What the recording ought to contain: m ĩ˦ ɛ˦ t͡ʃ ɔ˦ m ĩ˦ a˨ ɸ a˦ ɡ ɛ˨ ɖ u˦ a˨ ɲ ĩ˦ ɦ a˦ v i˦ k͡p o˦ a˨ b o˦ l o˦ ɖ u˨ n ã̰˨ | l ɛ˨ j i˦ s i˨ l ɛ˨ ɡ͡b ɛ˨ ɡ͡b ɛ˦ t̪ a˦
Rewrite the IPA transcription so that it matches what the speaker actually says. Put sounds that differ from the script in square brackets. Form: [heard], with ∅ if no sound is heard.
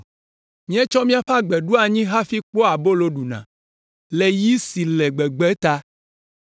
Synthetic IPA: m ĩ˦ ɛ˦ t͡ʃ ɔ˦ m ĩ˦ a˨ ɸ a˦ [ɡ͡b] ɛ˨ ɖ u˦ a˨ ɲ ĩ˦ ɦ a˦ [f] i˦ k͡p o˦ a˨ b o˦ l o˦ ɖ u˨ n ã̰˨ | l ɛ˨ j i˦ s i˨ l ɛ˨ ɡ͡b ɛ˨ ɡ͡b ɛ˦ t̪ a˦